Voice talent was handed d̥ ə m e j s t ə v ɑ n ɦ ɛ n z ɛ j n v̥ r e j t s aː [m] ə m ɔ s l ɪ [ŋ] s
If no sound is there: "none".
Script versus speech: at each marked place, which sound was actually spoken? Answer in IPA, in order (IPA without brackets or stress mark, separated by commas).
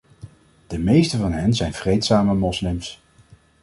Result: m, m